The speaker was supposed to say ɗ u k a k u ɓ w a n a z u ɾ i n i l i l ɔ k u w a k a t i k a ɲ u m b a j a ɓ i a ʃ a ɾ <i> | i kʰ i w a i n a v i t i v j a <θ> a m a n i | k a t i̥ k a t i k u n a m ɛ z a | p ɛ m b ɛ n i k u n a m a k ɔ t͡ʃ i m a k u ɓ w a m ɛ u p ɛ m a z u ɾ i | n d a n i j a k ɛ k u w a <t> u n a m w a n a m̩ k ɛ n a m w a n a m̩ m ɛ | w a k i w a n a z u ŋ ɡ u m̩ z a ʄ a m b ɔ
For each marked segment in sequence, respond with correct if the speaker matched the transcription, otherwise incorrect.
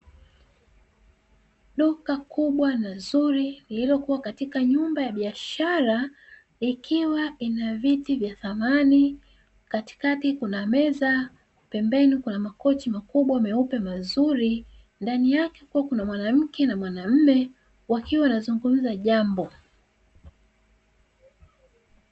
incorrect: a, correct, incorrect: k

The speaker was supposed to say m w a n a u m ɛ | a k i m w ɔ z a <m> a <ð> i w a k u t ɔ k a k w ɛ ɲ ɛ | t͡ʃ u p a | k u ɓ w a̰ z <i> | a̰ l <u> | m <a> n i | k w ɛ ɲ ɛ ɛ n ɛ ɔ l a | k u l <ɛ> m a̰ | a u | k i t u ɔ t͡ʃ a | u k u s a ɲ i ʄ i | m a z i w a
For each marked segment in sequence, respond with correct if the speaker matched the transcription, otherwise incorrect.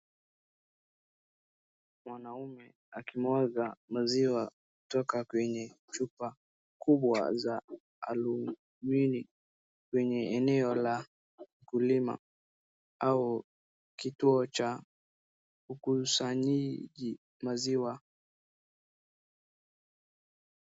correct, incorrect: z, incorrect: a, correct, incorrect: i, incorrect: i

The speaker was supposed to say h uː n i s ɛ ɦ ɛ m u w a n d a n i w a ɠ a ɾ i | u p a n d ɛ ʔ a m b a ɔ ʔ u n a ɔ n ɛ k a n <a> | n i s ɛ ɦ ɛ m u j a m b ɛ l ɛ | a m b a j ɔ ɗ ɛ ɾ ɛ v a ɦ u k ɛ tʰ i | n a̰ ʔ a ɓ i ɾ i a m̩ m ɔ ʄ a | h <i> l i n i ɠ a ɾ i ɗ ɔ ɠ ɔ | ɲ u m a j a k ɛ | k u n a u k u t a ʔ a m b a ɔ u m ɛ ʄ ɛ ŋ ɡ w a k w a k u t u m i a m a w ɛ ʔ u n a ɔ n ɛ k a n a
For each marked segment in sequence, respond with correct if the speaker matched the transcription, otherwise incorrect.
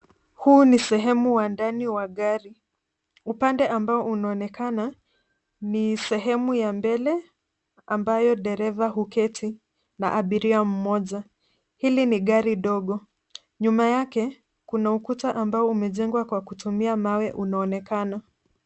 correct, correct

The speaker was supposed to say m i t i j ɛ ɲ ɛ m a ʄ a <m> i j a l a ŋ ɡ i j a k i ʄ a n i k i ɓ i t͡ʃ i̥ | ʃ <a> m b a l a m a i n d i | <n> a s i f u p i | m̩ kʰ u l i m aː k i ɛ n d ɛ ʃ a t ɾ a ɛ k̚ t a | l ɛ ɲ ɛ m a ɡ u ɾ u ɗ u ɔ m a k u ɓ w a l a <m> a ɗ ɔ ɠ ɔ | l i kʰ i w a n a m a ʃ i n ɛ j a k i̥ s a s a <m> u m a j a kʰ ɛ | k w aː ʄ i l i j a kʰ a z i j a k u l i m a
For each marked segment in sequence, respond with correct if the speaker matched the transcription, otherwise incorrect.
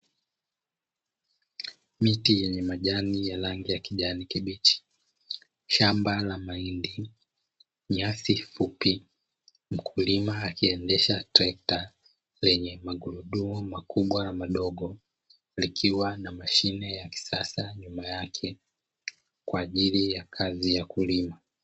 incorrect: n, correct, incorrect: ɲ, correct, incorrect: ɲ

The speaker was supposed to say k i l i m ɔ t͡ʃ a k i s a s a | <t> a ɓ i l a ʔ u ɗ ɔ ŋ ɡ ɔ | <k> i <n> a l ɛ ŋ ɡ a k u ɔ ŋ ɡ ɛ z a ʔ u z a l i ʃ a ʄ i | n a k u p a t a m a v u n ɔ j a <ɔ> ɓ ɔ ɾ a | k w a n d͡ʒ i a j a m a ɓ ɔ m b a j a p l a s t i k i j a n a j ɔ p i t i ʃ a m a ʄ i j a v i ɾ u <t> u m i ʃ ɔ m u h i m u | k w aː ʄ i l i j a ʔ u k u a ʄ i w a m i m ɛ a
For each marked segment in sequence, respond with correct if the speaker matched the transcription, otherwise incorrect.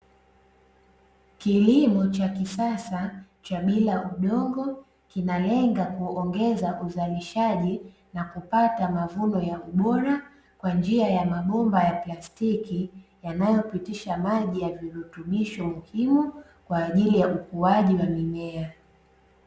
incorrect: t͡ʃ, correct, correct, incorrect: u, correct

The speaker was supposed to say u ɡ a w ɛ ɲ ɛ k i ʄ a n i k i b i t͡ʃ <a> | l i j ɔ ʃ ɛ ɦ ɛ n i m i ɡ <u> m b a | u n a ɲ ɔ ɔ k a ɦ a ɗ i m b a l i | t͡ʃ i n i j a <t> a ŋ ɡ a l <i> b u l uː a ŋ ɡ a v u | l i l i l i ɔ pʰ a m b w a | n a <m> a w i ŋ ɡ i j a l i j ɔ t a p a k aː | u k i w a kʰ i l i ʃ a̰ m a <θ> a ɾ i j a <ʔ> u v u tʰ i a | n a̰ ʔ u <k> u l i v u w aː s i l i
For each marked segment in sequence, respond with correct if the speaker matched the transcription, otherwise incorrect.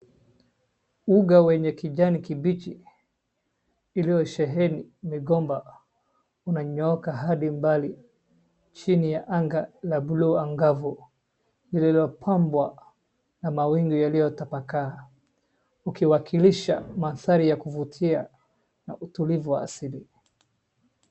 incorrect: i, incorrect: ɔ, incorrect: ʔ, incorrect: a, correct, correct, incorrect: k, incorrect: t

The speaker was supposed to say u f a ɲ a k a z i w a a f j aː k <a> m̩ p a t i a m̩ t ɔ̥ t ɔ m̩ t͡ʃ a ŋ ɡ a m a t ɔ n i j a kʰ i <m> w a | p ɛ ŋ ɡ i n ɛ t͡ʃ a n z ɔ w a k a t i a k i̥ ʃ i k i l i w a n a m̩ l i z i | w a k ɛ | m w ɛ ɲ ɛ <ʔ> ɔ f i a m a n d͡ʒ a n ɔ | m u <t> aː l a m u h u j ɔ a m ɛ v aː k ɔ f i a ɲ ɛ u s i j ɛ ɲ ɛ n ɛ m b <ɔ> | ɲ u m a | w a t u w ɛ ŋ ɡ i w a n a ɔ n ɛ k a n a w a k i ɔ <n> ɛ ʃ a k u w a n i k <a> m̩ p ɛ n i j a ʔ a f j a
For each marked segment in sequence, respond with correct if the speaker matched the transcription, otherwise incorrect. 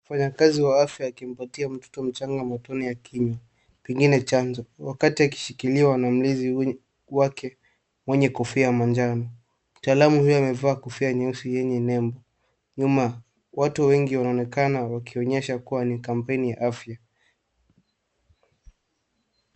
incorrect: i, incorrect: ɲ, incorrect: k, correct, correct, incorrect: ɲ, correct

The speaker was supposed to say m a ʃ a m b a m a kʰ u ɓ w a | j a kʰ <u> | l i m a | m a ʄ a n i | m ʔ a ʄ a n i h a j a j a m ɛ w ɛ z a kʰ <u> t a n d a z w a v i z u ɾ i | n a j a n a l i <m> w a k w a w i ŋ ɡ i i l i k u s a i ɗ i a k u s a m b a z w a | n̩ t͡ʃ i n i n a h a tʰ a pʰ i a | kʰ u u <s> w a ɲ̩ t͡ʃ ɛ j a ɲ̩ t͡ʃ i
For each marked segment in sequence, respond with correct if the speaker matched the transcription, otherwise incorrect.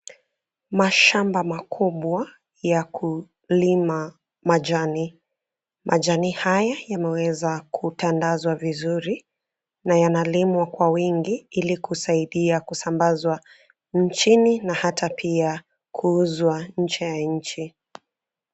correct, correct, correct, incorrect: z

